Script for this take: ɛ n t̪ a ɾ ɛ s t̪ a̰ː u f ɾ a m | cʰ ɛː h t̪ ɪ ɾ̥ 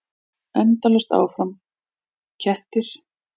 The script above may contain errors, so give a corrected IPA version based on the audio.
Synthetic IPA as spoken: ɛ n t̪ a l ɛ s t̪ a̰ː w f ɾ a m | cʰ ɛ h t̪ ɪ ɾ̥